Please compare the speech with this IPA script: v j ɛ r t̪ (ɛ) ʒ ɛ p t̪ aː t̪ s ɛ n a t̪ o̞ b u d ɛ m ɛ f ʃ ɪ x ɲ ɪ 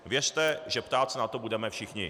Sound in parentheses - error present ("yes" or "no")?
no